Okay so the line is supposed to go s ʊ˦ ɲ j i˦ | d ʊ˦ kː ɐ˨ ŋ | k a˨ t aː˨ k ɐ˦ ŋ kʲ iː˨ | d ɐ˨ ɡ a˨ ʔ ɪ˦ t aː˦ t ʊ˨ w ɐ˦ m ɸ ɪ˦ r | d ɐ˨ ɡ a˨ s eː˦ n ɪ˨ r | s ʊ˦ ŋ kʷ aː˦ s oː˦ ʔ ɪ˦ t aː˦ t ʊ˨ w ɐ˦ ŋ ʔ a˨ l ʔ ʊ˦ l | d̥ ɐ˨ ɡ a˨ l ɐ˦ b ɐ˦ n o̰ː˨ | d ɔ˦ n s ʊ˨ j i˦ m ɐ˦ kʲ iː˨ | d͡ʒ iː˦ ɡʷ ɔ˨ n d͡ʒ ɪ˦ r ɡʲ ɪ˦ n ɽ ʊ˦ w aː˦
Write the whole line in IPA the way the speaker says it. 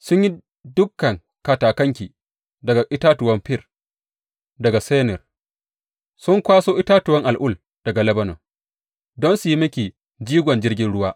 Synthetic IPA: s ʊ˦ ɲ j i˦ | d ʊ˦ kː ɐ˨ ŋ | k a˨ t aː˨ k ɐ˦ ŋ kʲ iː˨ | d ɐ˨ ɡ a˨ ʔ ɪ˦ t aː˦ t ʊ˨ w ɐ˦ m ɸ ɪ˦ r | d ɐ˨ ɡ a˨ s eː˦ n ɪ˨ r | s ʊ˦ ŋ kʷ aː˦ s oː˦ ʔ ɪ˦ t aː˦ t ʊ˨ w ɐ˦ ŋ ʔ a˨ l ʔ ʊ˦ l | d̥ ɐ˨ ɡ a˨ l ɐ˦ b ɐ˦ n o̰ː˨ | d ɔ˦ n s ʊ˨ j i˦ m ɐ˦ kʲ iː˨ | d͡ʒ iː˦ ɡʷ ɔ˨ n d͡ʒ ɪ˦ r ɡʲ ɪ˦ n ɽ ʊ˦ w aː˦